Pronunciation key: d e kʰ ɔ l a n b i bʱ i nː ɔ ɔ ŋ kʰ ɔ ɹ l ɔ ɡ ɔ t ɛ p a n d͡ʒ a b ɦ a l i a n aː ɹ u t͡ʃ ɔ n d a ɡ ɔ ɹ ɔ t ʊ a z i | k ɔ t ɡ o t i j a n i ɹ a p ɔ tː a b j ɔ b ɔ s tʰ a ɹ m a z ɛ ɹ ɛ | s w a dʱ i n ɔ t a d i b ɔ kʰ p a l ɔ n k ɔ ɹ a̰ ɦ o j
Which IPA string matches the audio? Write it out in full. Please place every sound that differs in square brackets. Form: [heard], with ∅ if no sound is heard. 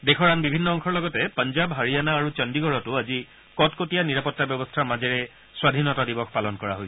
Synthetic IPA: d e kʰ ɔ [ɹ] a n b i bʱ i nː ɔ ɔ ŋ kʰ ɔ ɹ l ɔ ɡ ɔ t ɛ p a n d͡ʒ a b ɦ a [ɹ] i a n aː ɹ u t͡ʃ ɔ n d [i] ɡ ɔ ɹ ɔ t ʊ a z i | k ɔ t [k] o t i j a n i ɹ a p ɔ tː a b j ɔ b ɔ s tʰ a ɹ m a z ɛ ɹ ɛ | s w a dʱ i n ɔ t a d i b ɔ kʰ p a l ɔ n k ɔ ɹ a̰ ɦ o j